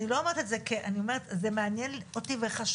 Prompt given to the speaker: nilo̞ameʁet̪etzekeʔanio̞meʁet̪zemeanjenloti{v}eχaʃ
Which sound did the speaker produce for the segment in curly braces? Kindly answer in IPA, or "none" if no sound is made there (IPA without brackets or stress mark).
v